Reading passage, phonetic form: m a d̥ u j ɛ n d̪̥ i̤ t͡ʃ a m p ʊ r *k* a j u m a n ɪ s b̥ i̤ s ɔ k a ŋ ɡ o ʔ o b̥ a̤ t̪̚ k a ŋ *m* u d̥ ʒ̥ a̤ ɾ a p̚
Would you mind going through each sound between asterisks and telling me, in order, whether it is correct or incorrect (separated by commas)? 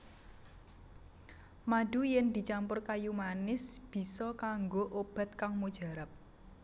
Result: correct, correct